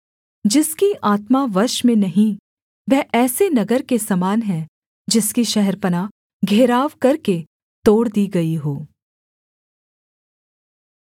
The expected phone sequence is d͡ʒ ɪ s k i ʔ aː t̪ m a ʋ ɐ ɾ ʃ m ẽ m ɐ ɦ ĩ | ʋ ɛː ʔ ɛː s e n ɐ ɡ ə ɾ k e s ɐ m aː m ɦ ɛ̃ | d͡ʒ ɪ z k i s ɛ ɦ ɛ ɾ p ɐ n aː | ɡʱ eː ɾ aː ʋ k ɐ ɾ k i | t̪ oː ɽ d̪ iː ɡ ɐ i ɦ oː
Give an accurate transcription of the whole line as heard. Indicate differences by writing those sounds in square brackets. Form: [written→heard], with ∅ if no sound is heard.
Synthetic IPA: d͡ʒ ɪ s k i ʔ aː t̪ m a ʋ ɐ ɾ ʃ m ẽ [m→n] ɐ ɦ ĩ | ʋ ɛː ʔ ɛː s e n ɐ ɡ ə ɾ k e s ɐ m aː [m→n] ɦ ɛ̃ | d͡ʒ ɪ [z→s] k i [s→ʃ] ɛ ɦ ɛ ɾ p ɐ n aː | ɡʱ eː ɾ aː ʋ k ɐ ɾ k [i→e] | t̪ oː ɽ d̪ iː ɡ ɐ i ɦ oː